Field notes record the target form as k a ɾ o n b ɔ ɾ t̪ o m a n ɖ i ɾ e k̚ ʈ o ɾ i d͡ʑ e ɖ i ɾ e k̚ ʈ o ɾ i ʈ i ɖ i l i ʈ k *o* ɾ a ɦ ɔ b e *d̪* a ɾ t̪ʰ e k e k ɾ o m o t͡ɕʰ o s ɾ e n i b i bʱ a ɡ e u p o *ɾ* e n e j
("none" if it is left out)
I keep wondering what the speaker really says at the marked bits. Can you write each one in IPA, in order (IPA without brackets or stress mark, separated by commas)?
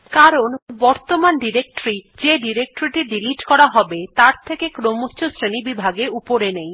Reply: ɔ, t̪, ɾ